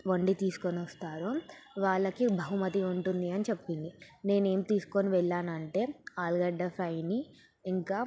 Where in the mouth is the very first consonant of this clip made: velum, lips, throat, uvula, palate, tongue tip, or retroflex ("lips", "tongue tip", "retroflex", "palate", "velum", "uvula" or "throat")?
lips